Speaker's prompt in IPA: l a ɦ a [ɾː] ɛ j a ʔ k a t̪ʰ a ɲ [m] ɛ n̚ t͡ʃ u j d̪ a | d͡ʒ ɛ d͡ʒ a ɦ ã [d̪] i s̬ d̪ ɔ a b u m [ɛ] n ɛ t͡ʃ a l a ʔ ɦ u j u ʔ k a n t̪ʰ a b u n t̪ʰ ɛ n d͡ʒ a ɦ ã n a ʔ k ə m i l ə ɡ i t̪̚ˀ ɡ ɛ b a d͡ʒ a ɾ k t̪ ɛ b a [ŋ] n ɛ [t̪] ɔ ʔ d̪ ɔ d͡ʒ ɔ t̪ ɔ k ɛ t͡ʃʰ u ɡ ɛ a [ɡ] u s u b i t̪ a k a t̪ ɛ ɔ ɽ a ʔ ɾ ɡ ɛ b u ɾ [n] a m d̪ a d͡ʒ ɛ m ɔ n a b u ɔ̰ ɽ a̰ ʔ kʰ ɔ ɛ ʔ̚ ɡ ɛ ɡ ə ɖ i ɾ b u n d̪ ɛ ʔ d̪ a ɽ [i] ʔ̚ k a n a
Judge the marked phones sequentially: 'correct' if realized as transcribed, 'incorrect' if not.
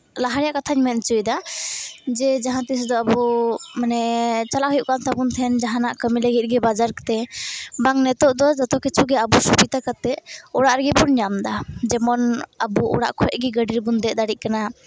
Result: incorrect, correct, incorrect, incorrect, correct, correct, incorrect, incorrect, correct

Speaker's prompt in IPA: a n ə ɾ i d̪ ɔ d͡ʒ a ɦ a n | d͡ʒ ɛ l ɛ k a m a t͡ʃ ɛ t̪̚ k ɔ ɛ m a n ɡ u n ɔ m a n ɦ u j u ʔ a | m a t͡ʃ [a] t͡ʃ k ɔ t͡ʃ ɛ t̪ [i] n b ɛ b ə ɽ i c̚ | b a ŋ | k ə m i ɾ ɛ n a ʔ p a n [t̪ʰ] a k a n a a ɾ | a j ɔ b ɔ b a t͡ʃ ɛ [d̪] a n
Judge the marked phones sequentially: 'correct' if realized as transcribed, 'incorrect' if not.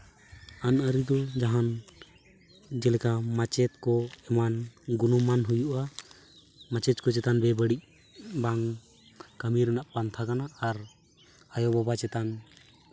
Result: incorrect, incorrect, correct, incorrect

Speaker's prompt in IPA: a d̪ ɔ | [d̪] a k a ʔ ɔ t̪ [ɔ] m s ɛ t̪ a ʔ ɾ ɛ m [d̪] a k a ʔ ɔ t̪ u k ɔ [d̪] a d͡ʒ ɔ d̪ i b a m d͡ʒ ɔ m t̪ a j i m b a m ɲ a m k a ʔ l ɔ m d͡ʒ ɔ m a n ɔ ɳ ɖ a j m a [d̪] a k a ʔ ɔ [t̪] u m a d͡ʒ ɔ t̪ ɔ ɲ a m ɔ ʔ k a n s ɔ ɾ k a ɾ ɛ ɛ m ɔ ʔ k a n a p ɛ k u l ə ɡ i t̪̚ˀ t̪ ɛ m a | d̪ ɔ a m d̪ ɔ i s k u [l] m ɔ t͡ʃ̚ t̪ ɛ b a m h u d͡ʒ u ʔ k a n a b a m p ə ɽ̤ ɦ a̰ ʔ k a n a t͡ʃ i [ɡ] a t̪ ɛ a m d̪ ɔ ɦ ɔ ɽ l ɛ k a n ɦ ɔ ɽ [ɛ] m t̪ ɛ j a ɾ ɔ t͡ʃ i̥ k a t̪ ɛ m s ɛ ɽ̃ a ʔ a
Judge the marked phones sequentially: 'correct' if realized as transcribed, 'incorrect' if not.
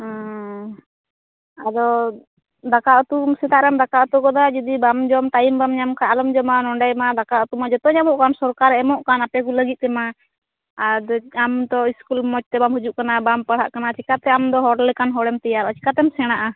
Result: correct, incorrect, correct, correct, correct, correct, correct, incorrect, correct

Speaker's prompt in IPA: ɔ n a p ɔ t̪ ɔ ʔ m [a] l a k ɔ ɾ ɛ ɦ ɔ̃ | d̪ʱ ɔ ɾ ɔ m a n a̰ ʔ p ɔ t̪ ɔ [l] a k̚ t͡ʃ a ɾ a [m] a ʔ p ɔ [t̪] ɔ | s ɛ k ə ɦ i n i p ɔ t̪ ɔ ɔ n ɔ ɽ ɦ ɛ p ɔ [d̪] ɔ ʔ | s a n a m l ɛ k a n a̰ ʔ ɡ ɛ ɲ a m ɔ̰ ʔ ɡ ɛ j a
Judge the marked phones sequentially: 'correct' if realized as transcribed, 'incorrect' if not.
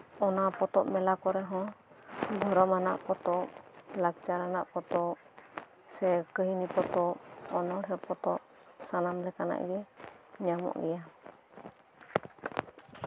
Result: incorrect, correct, incorrect, correct, incorrect

